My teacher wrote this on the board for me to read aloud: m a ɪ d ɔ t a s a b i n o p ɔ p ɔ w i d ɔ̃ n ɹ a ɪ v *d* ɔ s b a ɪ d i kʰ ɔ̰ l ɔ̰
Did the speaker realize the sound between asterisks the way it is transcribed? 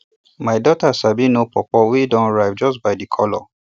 no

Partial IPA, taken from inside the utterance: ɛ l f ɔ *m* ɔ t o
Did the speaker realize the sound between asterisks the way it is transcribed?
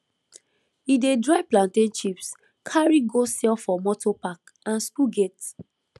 yes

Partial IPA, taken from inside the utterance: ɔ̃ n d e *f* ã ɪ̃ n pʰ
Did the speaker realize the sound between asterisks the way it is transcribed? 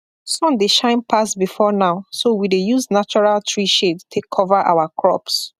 no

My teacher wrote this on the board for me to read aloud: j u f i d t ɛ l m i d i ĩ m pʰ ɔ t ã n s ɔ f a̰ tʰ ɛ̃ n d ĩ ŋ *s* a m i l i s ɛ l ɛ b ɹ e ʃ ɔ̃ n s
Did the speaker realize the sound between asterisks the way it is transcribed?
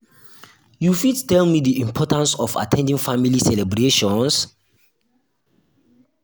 no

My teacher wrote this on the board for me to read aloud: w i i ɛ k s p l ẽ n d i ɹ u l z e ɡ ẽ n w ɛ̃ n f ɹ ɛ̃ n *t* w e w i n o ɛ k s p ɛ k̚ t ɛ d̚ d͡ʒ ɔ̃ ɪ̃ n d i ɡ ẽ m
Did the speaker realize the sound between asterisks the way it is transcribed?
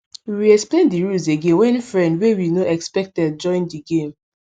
no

